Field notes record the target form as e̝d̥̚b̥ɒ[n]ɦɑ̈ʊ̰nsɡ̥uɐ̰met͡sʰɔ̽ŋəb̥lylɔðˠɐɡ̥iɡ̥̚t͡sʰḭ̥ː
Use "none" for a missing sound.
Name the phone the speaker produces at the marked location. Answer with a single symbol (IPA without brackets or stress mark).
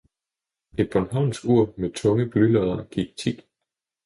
n